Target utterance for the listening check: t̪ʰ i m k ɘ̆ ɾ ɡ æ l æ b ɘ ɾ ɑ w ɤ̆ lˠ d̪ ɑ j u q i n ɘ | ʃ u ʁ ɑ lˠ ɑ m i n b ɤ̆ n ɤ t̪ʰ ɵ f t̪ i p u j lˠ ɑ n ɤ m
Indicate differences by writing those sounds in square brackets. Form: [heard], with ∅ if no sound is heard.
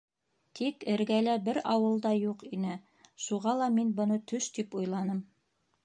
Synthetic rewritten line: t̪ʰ i [∅] k ɘ̆ ɾ ɡ æ l æ b ɘ ɾ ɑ w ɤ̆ lˠ d̪ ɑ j u q i n ɘ | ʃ u ʁ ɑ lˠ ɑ m i n b ɤ̆ n ɤ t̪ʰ ɵ [ʃ] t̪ i p u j lˠ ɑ n ɤ m